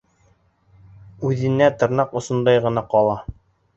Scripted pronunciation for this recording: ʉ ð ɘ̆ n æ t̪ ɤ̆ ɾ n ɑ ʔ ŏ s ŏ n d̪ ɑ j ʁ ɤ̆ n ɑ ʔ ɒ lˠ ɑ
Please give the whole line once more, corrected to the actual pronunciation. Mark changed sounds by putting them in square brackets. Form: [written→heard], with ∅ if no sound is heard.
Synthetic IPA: ʉ ð ɘ̆ n æ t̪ ɤ̆ ɾ n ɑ [ʔ→q] ŏ s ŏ n d̪ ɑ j ʁ ɤ̆ n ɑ [ʔ→q] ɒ lˠ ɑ